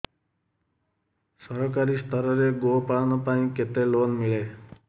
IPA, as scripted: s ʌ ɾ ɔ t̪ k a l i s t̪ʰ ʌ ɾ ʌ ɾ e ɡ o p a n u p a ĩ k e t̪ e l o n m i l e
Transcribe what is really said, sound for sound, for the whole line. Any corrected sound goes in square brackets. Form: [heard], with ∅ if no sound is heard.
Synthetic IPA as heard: s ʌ ɾ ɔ [∅] k a [ɾ] i s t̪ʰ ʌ ɾ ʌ ɾ e ɡ o p a n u p a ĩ k e t̪ e l o n m i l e